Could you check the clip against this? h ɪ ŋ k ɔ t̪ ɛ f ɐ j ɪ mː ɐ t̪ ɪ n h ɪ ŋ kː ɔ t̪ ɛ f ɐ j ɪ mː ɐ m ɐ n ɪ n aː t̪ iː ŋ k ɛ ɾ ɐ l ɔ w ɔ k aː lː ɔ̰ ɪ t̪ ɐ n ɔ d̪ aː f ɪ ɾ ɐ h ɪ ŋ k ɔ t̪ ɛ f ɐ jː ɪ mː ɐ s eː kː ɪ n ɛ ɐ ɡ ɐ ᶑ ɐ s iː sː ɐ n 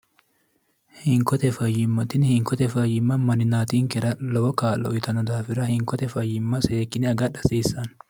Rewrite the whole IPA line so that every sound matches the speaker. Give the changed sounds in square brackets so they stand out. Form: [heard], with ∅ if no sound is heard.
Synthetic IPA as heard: h ɪ ŋ k ɔ t̪ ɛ f ɐ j ɪ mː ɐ t̪ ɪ n h ɪ ŋ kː ɔ t̪ ɛ f ɐ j ɪ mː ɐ m ɐ n ɪ n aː t̪ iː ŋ k ɛ ɾ ɐ l ɔ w ɔ k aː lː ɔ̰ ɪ t̪ ɐ n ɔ d̪ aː f ɪ ɾ ɐ h ɪ ŋ k ɔ t̪ ɛ f ɐ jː ɪ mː ɐ s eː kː ɪ n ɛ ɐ ɡ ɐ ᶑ ɐ s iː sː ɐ n